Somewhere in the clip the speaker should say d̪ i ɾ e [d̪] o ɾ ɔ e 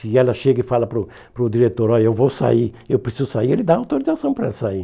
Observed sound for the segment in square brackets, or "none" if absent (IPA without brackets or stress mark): t̪